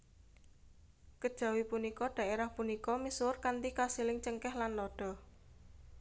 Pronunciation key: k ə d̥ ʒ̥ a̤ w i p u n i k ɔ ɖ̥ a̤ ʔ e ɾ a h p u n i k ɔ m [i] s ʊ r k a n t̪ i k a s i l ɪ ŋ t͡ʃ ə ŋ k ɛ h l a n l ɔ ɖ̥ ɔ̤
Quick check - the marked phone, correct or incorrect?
correct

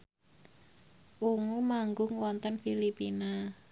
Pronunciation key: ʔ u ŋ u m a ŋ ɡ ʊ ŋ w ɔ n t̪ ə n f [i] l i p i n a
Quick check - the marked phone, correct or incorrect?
correct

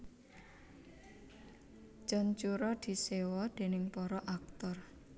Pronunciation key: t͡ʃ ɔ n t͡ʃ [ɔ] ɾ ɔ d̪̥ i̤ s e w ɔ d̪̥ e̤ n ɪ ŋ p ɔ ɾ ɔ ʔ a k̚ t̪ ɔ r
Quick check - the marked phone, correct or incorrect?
incorrect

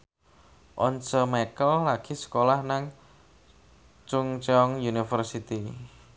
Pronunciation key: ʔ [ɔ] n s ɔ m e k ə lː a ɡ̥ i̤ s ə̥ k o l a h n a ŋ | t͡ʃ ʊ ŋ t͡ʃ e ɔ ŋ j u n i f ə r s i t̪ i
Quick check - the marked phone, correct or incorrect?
correct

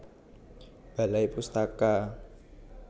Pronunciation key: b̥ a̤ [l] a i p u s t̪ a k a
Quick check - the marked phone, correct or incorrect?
correct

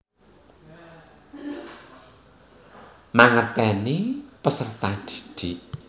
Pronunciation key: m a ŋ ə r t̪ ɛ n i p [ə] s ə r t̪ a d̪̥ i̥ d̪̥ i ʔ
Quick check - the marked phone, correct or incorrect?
correct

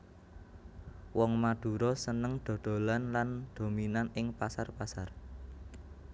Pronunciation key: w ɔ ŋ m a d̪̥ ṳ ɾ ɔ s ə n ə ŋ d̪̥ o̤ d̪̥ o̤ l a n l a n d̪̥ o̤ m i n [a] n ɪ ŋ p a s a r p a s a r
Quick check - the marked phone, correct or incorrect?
correct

